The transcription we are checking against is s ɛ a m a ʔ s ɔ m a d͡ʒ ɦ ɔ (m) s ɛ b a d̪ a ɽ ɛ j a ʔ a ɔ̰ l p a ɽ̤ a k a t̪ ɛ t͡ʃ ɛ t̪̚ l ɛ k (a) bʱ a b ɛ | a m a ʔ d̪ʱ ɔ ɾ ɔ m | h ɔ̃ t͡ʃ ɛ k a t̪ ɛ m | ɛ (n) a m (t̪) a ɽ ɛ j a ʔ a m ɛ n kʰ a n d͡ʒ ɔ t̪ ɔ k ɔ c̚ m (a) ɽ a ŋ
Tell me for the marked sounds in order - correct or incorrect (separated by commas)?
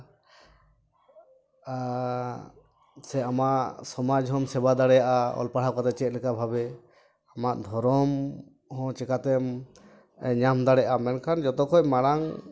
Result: correct, correct, incorrect, incorrect, correct